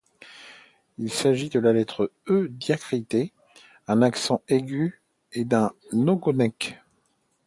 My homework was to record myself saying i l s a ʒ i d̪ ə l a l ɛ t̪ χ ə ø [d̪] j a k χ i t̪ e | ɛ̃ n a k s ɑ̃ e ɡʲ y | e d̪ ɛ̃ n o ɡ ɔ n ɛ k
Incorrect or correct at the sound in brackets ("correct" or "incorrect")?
correct